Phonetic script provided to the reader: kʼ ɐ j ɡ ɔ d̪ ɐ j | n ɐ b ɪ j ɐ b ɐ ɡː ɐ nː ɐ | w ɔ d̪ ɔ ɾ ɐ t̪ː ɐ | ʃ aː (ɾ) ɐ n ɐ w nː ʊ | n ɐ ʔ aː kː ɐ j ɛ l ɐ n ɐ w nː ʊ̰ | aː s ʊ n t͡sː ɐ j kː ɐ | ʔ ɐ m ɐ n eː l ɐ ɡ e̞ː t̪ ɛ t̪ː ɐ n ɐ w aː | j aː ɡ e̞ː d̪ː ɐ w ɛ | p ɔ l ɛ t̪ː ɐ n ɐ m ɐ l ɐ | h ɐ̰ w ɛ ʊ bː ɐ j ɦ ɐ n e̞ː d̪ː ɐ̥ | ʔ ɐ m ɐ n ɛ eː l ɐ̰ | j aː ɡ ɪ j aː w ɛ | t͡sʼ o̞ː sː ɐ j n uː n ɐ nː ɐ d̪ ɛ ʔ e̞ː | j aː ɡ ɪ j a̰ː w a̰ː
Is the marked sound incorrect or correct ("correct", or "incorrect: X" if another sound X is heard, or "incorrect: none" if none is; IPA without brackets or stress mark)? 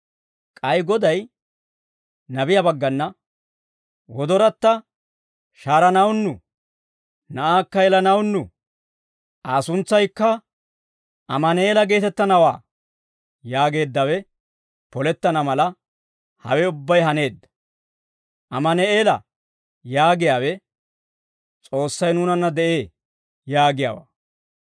correct